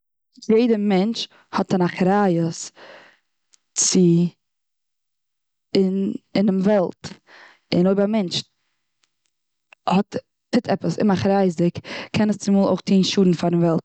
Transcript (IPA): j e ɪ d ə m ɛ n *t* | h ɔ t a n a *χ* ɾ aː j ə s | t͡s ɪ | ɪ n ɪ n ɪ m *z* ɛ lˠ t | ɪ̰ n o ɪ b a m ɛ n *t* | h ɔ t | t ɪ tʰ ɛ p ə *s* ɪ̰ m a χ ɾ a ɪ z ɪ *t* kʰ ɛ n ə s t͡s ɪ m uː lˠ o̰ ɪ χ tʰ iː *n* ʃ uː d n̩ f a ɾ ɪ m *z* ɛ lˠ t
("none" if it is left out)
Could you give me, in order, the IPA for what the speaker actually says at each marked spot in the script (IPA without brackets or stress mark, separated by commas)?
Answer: t͡ʃ, χ, v, t͡ʃ, s, k, n, v